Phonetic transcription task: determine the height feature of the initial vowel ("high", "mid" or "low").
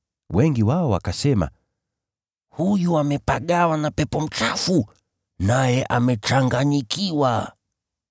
mid